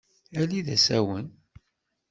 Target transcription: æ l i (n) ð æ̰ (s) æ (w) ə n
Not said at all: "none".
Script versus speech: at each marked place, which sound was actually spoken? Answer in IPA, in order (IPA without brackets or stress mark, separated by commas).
none, s, w